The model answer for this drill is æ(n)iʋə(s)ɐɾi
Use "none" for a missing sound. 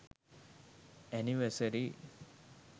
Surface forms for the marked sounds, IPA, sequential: n, s

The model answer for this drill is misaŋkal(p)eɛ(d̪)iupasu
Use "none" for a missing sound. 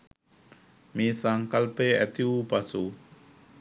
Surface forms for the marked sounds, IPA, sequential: p, t̪

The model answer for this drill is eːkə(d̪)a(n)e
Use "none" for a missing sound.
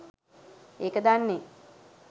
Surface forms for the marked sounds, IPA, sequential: d̪, nː

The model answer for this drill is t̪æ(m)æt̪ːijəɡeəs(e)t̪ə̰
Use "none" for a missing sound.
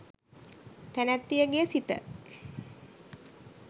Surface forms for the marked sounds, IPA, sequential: n, i

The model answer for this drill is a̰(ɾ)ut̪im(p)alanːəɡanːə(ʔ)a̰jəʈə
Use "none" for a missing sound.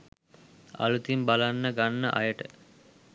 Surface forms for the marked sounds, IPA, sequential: l, b, ʔ

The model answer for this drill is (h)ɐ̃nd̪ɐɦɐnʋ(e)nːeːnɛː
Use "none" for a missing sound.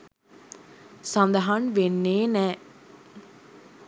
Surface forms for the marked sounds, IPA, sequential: s, e

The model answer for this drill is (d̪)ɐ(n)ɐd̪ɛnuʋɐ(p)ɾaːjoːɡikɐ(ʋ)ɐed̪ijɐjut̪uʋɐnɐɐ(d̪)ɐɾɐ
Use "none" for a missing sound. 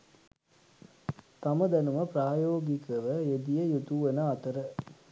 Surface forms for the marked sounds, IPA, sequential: t̪, m, p, ʋ, t̪

